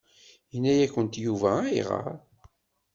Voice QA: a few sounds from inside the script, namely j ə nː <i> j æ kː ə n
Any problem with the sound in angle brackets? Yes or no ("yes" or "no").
yes